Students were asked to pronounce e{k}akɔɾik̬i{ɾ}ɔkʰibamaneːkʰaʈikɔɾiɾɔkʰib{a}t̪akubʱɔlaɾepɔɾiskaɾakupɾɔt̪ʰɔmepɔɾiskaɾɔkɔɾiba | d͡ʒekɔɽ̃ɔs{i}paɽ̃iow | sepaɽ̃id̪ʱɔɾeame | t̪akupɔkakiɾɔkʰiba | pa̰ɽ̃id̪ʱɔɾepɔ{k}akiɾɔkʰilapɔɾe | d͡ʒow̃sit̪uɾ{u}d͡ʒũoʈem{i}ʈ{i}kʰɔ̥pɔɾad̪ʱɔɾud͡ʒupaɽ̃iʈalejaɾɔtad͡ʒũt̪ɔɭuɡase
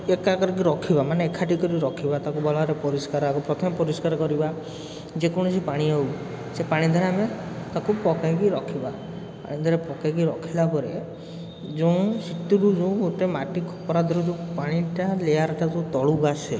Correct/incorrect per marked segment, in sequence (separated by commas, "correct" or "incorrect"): correct, correct, correct, correct, correct, correct, incorrect, correct